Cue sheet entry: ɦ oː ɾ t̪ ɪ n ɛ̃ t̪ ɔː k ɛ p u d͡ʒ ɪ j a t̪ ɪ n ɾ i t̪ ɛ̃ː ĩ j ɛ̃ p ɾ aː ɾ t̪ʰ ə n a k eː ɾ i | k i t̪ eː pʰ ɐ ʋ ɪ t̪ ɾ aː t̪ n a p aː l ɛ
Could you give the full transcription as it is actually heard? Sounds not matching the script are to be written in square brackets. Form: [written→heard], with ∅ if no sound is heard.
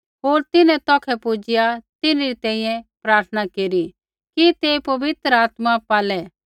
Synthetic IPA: ɦ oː ɾ t̪ ɪ n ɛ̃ t̪ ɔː [k→kʰ] ɛ p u d͡ʒ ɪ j a t̪ ɪ n ɾ i t̪ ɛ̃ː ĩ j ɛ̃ p ɾ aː ɾ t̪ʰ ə n a k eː ɾ i | k i t̪ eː [pʰ→p] ɐ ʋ ɪ t̪ ɾ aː t̪ [n→m] a p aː l ɛ